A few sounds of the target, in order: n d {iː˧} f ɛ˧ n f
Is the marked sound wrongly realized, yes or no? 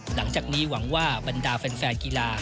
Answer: yes